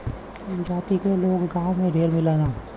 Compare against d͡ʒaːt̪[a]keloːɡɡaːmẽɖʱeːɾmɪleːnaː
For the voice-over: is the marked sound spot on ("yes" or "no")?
no